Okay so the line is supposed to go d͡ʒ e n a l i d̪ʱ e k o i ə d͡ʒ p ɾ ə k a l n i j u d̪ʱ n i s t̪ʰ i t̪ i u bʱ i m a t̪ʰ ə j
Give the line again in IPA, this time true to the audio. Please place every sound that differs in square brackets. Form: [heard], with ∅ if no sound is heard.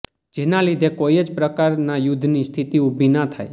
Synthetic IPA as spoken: d͡ʒ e n a l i d̪ʱ e k o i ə d͡ʒ p ɾ ə k a [ɾ] n [a] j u d̪ʱ n i s t̪ʰ i t̪ i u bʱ i [n] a t̪ʰ [a] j